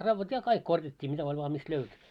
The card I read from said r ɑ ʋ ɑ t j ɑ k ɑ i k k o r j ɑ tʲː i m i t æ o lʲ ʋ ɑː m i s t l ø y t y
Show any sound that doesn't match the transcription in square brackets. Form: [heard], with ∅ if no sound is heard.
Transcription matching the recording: r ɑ [ʋː] ɑ t j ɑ k ɑ i k k o r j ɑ tʲː [iː] m i t æ o lʲ ʋ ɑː m i s t l ø y t y